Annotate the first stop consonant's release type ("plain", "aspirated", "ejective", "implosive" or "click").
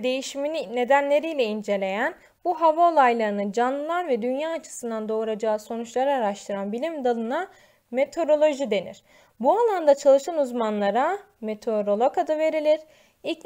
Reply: plain